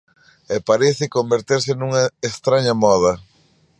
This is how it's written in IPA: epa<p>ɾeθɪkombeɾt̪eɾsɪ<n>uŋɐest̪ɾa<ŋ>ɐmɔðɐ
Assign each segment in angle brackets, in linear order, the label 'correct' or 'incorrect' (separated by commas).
incorrect, correct, incorrect